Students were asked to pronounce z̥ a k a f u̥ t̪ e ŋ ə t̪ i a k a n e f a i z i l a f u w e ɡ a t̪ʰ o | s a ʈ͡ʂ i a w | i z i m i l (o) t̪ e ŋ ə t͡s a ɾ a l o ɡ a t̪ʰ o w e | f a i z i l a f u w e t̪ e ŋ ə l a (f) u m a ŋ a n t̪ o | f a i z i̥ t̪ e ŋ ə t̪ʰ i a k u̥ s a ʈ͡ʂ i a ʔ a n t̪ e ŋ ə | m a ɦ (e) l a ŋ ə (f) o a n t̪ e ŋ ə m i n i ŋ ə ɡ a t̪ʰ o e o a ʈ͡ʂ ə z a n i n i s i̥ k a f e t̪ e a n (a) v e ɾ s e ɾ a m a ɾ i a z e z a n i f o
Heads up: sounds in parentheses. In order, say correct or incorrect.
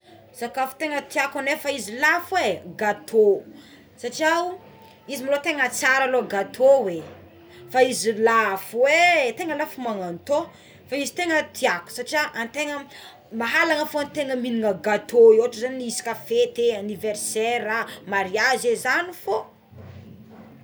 correct, correct, incorrect: a, correct, incorrect: i

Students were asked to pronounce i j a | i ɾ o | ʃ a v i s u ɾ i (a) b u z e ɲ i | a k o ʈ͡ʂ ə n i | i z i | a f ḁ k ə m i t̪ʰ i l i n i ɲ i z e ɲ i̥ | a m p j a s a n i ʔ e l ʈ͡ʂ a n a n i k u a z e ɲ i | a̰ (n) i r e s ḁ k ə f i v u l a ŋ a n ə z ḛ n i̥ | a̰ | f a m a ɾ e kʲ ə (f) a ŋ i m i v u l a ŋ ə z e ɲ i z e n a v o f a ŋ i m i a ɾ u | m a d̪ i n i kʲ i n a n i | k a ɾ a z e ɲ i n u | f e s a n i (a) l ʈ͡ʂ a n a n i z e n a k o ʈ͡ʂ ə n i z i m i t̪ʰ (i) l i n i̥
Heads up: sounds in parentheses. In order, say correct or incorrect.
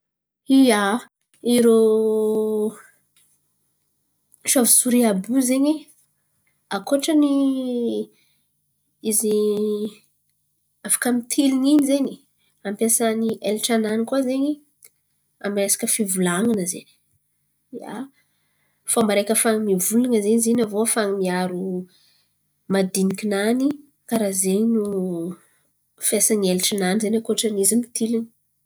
correct, incorrect: m, correct, incorrect: e, correct

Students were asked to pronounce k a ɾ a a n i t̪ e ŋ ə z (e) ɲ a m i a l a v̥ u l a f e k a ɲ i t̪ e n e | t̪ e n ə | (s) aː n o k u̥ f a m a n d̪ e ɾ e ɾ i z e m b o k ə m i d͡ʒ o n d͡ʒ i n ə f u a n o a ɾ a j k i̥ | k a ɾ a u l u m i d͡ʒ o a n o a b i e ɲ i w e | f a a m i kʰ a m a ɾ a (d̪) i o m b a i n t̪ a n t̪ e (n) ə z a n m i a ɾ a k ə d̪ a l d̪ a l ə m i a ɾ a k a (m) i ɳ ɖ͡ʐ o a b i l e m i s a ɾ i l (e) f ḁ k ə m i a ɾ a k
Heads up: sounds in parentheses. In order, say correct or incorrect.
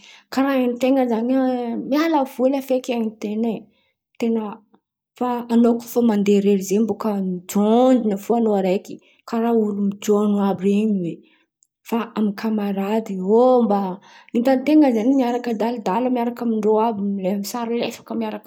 incorrect: a, incorrect: f, correct, incorrect: ŋ, correct, correct

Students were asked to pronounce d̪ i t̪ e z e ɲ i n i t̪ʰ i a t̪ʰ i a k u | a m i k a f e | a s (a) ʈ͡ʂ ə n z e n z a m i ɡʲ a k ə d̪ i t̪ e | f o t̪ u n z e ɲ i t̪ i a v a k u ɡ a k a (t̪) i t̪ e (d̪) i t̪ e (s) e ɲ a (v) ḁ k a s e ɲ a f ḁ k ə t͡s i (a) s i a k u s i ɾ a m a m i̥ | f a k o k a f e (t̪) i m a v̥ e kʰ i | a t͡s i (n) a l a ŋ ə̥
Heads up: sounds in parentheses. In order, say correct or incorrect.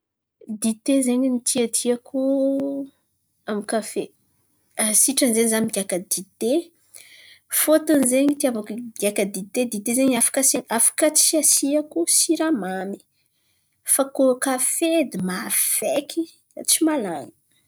incorrect: i, incorrect: d̪, correct, incorrect: z, incorrect: f, correct, incorrect: d̪, incorrect: m

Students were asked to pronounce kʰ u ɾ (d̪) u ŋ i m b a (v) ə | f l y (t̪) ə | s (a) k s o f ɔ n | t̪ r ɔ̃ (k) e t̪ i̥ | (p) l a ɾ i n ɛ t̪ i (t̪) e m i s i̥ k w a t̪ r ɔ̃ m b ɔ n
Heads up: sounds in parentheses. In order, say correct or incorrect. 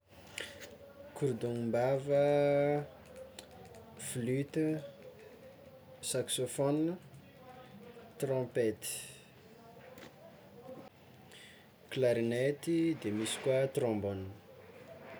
correct, correct, correct, correct, incorrect: p, incorrect: k, incorrect: d̪

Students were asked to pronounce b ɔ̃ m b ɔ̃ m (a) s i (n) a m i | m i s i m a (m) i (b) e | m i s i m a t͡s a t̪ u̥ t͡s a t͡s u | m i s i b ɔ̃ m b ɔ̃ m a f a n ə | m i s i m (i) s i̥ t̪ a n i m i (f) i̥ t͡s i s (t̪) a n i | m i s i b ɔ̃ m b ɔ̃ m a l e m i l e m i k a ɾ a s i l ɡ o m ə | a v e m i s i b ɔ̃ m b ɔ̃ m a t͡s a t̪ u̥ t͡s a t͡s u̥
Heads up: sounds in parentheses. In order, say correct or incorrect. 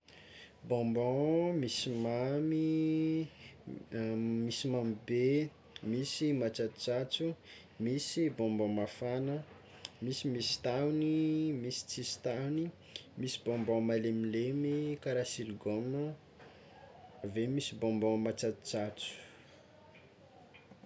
incorrect: i, incorrect: m, correct, correct, correct, incorrect: s, correct

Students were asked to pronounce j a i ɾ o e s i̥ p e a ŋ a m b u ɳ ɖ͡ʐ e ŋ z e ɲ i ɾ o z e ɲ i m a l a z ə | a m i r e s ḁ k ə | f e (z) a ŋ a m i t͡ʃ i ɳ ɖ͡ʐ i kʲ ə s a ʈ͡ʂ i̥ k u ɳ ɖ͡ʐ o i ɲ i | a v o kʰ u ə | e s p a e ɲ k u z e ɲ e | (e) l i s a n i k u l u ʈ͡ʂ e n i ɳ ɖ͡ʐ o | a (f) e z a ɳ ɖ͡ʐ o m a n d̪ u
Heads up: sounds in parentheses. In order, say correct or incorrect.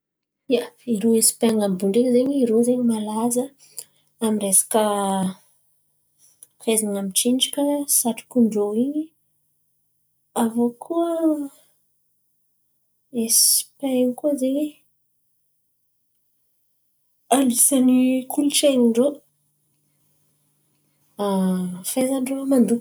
correct, incorrect: a, correct

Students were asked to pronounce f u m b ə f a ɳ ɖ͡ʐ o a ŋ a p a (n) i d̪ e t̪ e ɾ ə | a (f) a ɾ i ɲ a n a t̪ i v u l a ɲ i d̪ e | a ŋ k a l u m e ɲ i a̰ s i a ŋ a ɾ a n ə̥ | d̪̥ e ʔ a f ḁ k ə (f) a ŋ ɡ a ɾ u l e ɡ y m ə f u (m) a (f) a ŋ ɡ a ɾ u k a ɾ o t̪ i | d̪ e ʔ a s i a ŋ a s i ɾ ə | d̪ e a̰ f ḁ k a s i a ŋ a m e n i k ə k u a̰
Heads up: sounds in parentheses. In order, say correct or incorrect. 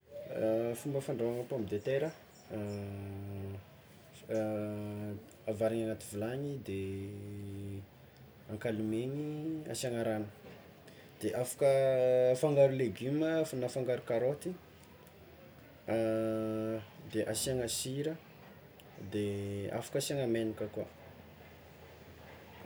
incorrect: m, incorrect: v, correct, incorrect: n, correct

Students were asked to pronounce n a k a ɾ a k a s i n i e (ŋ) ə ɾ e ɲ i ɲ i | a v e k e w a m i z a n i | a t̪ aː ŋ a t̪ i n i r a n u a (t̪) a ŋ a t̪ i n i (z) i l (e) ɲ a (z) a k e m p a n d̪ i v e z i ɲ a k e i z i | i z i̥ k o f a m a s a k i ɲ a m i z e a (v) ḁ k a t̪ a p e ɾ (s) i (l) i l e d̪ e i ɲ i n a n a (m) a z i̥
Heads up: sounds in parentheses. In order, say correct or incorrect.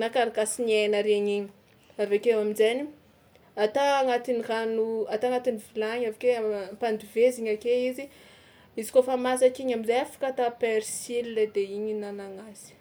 incorrect: n, correct, incorrect: v, incorrect: a, incorrect: v, incorrect: f, correct, correct, incorrect: ŋ

